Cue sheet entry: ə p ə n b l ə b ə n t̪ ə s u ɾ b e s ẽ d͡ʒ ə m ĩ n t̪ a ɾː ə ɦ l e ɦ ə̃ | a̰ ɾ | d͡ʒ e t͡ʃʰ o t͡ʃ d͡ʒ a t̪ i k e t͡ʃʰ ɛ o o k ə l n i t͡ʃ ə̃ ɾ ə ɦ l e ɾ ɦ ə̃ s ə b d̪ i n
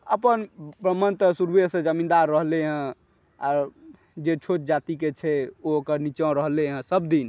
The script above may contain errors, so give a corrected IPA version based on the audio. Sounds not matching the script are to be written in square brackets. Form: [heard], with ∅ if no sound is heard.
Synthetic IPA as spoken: ə p ə n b [ɾ] ə [m] ə n t̪ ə s u ɾ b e s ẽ d͡ʒ ə m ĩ n [d̪] a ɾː ə ɦ l e ɦ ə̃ | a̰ ɾ | d͡ʒ e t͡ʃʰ o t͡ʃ d͡ʒ a t̪ i k e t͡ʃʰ ɛ o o k ə [ɾ] n i t͡ʃ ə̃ ɾ ə ɦ l e [∅] ɦ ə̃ s ə b d̪ i n